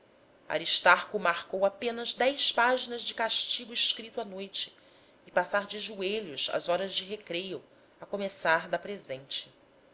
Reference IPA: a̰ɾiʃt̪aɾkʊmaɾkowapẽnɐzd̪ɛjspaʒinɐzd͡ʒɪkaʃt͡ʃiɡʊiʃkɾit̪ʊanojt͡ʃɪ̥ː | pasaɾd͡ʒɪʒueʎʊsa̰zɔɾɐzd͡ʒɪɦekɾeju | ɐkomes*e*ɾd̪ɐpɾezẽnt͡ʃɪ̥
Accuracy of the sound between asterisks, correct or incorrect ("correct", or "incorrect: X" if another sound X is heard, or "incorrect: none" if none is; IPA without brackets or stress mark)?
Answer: incorrect: a